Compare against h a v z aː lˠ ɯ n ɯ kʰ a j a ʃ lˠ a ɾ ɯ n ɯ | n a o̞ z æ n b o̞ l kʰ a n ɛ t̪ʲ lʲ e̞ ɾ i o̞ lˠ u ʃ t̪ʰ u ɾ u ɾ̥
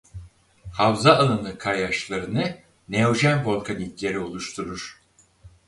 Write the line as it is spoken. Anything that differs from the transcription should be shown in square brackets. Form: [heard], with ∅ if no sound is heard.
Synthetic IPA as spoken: h a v z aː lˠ ɯ n ɯ kʰ a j a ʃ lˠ a ɾ ɯ n ɯ | n [e] o̞ [ʒ] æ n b o̞ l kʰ a n [i] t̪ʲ lʲ e̞ ɾ i o̞ lˠ u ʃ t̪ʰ u ɾ u ɾ̥